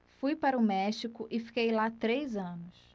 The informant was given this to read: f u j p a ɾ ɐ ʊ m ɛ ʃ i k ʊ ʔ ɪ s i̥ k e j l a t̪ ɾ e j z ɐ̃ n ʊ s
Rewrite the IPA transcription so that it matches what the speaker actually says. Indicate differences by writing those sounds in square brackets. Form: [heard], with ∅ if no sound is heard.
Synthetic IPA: f u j p a ɾ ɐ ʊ m ɛ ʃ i k ʊ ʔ ɪ [f] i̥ k e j l a t̪ ɾ e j z ɐ̃ n ʊ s

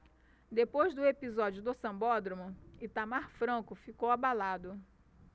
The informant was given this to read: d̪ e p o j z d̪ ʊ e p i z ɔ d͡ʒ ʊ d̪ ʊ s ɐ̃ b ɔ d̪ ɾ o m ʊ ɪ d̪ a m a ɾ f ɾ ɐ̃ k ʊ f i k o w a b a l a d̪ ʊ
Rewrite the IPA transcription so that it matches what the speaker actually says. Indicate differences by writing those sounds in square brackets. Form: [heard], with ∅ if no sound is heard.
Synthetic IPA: d̪ e p o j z d̪ ʊ e p i z ɔ d͡ʒ ʊ d̪ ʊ s ɐ̃ b ɔ d̪ ɾ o m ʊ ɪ [t̪] a m a ɾ f ɾ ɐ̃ k ʊ f i k o w a b a l a d̪ ʊ

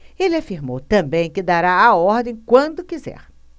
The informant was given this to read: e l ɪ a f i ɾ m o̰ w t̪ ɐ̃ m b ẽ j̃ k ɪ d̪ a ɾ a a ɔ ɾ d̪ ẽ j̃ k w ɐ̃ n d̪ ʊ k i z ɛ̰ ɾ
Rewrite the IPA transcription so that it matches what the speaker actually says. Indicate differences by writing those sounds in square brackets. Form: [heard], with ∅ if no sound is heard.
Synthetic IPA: e l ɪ a f i ɾ m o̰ w t̪ ɐ̃ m b ẽ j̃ k ɪ d̪ a ɾ a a ɔ ɾ d̪ ẽ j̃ k w ɐ̃ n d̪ ʊ k i z ɛ̰ ɾ

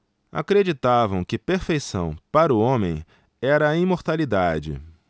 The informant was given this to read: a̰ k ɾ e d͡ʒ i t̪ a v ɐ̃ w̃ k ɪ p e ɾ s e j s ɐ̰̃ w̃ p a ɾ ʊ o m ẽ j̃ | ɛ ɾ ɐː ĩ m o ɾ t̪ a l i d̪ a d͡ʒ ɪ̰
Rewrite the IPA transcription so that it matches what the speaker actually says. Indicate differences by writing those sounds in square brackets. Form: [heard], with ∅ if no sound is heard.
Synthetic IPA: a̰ k ɾ e d͡ʒ i t̪ a v ɐ̃ w̃ k ɪ p e ɾ [f] e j s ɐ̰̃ w̃ p a ɾ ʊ [õ] m ẽ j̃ | ɛ ɾ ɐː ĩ m o ɾ t̪ a l i d̪ a d͡ʒ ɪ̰

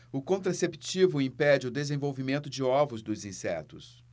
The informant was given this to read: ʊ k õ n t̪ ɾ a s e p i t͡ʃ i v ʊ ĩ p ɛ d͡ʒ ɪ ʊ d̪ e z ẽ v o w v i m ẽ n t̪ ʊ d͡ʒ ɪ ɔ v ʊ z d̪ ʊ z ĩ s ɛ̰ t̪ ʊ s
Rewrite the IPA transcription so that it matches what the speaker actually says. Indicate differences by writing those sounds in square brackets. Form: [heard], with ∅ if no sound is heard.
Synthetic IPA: ʊ k õ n t̪ ɾ a s e p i t͡ʃ i v ʊ ĩ p ɛ d͡ʒ ɪ ʊ d̪ e z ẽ v o w v i m ẽ n t̪ ʊ d͡ʒ ɪ ɔ v ʊ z d̪ ʊ z ĩ s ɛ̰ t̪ ʊ s

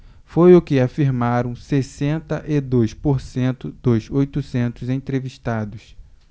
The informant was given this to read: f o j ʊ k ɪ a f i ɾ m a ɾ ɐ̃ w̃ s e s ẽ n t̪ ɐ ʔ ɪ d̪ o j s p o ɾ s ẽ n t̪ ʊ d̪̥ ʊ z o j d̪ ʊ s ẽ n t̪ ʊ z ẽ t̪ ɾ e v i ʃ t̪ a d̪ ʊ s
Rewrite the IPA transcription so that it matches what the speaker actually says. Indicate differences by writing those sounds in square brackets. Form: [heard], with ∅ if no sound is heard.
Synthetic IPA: f o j ʊ k ɪ a f i ɾ m a ɾ ɐ̃ w̃ s e s ẽ n t̪ ɐ ʔ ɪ d̪ o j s p o ɾ s ẽ n t̪ ʊ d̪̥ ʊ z o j [t̪] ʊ s ẽ n t̪ ʊ z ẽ t̪ ɾ e v i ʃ t̪ a d̪ ʊ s

